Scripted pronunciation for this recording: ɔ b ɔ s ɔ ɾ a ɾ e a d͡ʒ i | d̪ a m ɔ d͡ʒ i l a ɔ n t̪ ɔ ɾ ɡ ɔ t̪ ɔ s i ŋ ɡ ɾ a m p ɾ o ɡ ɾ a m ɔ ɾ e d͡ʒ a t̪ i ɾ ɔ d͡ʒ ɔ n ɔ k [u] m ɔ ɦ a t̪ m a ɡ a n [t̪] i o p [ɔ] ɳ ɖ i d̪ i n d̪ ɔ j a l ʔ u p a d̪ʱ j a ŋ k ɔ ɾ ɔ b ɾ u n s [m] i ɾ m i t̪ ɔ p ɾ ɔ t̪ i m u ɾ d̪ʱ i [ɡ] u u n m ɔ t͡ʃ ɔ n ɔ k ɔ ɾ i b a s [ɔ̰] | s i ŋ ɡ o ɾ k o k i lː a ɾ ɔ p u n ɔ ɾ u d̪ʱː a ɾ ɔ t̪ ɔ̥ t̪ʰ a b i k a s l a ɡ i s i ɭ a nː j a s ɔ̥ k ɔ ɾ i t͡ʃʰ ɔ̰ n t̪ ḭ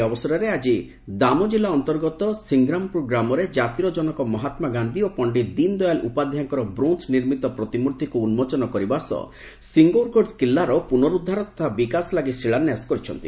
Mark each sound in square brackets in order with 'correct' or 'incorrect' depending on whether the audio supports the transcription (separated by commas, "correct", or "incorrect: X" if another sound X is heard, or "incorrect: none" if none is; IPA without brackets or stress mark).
incorrect: ɔ, incorrect: d̪, correct, incorrect: n, incorrect: k, correct